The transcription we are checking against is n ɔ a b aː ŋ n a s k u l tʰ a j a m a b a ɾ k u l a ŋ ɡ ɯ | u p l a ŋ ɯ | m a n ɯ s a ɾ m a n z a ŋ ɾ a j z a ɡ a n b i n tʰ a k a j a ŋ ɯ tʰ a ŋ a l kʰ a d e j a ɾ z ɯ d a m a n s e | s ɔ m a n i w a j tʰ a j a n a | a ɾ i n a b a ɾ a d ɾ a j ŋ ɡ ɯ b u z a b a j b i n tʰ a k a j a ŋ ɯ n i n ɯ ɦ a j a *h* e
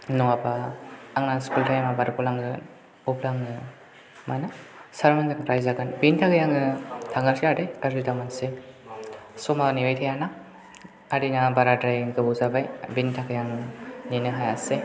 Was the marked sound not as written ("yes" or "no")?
yes